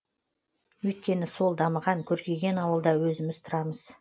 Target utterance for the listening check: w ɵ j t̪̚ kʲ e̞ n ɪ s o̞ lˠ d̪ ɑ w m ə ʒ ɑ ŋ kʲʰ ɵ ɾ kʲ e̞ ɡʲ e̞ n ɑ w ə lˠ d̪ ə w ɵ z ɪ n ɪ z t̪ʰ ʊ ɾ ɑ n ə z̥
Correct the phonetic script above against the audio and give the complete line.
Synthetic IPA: w ɵ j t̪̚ kʲ e̞ n ɪ s o̞ lˠ d̪ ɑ m ə ʁ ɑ ŋ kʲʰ ɵ ɾ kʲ e̞ ɡʲ e̞ n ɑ w ə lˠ d̪ ɑ w ɵ z ɪ m ɪ z t̪ʰ ʊ ɾ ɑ m ə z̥